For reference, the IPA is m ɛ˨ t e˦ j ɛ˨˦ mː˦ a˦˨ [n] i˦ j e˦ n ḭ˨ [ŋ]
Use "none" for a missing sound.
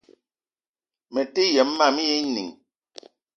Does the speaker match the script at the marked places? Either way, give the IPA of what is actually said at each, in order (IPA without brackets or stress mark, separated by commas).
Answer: m, ŋ